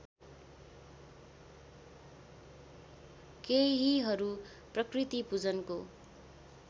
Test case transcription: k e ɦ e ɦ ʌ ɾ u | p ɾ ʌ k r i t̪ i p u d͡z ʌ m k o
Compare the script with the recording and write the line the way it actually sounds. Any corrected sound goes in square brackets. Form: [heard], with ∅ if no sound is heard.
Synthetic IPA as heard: k e ɦ [i] ɦ ʌ ɾ u | p [r] ʌ k r i t̪ i p u d͡z ʌ [n] k o